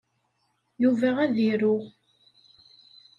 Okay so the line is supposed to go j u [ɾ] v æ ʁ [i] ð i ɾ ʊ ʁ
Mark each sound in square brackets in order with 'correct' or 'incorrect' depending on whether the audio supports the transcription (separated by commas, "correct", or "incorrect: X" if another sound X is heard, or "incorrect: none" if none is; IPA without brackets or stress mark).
incorrect: none, incorrect: æ